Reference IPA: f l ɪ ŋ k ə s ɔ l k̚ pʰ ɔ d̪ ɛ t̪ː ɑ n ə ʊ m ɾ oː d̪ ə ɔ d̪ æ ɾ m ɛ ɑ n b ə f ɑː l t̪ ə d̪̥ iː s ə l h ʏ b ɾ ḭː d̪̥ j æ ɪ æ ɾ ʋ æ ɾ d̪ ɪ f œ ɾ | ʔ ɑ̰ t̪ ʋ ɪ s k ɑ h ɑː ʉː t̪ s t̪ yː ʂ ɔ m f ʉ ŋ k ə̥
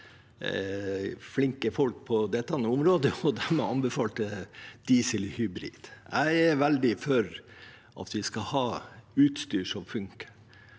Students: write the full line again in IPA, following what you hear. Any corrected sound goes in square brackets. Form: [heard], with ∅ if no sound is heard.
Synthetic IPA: f l ɪ ŋ k ə [f] ɔ l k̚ pʰ ɔ d̪ ɛ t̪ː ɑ n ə ʊ m ɾ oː d̪ ə ɔ d̪ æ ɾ m ɛ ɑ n b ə f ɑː l t̪ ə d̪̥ iː s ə l h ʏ b ɾ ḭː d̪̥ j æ ɪ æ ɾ ʋ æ [l] d̪ ɪ f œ ɾ | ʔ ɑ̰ t̪ ʋ ɪ s k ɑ h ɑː ʉː t̪ s t̪ yː ʂ ɔ m f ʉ ŋ k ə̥